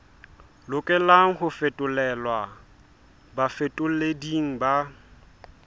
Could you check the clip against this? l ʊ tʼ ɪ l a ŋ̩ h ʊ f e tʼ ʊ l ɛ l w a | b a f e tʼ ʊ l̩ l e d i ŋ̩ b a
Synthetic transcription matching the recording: l ʊ kʼ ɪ l a ŋ̩ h ʊ f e tʼ ʊ l ɛ l w a | b a f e tʼ ʊ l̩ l e d i ŋ̩ b a